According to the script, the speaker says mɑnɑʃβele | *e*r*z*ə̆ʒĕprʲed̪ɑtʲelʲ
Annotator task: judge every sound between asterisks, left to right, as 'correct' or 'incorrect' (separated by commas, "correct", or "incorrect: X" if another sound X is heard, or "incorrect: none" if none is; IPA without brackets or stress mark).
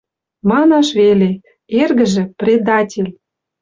correct, incorrect: ɣ